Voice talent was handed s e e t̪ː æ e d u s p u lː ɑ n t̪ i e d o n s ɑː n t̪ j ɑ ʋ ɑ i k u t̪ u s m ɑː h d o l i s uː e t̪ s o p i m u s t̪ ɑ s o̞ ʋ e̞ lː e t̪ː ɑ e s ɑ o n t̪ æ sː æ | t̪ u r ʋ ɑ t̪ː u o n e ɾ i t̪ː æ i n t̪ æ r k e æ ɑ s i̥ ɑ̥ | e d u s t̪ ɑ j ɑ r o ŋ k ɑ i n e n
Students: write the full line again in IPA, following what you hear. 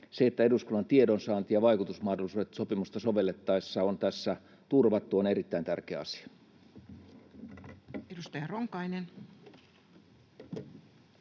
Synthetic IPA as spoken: s e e t̪ː æ e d u s k u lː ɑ n t̪ i e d o n s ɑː n t̪ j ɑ ʋ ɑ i k u t̪ u s m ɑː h d o l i s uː e t̪ s o p i m u s t̪ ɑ s o̞ ʋ e̞ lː e t̪ː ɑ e sː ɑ o n t̪ æ sː æ | t̪ u r ʋ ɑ t̪ː u o n e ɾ i t̪ː æ i n t̪ æ r k e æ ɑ s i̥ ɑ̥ | e d u s t̪ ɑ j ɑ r o ŋ k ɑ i n e n